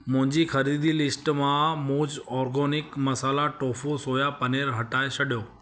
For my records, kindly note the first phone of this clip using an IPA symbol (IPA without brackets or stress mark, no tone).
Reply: m